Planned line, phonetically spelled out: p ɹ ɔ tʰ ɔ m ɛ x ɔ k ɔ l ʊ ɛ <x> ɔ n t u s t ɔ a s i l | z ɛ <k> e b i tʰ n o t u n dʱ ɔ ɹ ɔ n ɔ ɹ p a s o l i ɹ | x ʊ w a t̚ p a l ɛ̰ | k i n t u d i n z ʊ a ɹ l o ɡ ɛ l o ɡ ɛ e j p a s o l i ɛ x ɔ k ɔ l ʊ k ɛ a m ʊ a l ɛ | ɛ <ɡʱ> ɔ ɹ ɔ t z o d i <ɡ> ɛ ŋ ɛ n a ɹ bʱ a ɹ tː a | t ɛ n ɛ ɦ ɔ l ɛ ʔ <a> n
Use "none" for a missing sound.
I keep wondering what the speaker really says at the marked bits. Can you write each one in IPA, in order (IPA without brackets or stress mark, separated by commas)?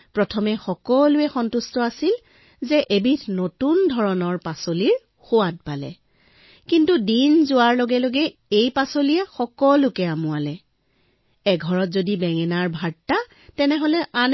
x, ʔ, ɡʱ, b, a